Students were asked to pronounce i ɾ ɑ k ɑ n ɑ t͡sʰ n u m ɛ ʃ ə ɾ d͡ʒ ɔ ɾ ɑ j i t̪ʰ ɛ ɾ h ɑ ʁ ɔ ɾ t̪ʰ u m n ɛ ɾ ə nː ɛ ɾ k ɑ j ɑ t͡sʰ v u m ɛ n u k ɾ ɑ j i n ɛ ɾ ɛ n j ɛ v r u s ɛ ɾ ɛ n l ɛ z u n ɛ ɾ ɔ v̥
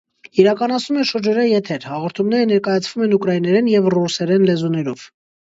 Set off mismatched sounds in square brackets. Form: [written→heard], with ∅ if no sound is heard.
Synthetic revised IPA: i ɾ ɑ k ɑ n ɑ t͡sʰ n u m ɛ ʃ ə ɾ d͡ʒ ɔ ɾ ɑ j [i→ɛ] t̪ʰ ɛ ɾ h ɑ ʁ ɔ ɾ t̪ʰ u m n ɛ ɾ ə [nː→n] ɛ ɾ k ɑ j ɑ t͡sʰ v u m ɛ n u k ɾ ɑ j i n ɛ ɾ ɛ n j ɛ v r u s ɛ ɾ ɛ n l ɛ z u n ɛ ɾ ɔ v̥